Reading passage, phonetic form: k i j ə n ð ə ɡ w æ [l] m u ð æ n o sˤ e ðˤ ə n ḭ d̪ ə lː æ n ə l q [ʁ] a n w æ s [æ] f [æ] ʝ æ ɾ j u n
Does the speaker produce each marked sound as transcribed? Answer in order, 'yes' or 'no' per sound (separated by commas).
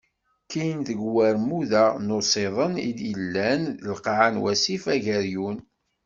no, no, no, yes